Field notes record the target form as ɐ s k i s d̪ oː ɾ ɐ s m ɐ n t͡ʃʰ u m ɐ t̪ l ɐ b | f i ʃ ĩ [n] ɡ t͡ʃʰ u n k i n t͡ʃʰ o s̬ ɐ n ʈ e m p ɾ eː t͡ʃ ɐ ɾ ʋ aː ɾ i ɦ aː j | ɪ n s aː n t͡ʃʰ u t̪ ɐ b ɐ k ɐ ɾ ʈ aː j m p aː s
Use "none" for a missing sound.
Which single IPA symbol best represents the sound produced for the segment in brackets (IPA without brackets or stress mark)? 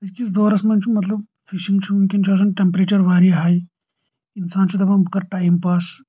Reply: ŋ